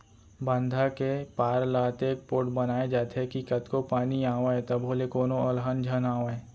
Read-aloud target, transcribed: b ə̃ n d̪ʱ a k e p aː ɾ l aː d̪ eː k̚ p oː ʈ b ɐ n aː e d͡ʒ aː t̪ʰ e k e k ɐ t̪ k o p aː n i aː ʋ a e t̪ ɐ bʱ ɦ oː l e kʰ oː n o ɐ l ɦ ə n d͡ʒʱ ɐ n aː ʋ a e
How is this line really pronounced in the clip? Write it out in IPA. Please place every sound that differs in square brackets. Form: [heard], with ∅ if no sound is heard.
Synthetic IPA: b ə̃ n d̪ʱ a k e p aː ɾ l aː [t̪] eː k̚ p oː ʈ b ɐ n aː e d͡ʒ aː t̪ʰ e k [i] k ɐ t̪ k o p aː n i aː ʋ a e t̪ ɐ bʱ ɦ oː l e [k] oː n o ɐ l ɦ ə n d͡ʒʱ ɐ n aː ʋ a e